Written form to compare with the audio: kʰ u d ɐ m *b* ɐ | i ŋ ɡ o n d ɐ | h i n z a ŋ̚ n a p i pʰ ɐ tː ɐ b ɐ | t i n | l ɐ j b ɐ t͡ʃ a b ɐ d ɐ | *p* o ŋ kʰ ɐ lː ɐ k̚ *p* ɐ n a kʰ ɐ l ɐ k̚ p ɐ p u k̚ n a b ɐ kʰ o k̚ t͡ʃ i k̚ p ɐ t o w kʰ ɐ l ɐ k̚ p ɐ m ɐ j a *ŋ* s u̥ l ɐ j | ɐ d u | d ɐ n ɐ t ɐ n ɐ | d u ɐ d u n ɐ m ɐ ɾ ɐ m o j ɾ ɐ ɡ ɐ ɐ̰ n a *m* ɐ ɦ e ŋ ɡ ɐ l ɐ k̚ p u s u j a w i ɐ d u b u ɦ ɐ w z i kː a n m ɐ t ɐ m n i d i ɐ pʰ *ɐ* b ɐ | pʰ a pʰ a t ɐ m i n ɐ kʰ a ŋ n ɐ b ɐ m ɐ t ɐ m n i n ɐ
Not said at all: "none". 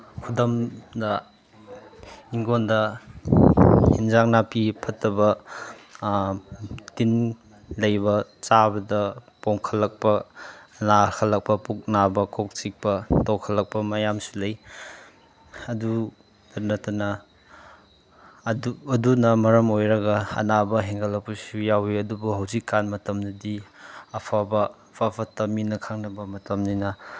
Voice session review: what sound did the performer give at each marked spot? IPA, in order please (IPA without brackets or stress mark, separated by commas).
d, p, p, m, b, a